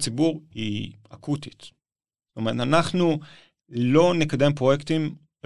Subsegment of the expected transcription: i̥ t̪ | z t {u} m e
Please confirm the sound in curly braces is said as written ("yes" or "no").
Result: no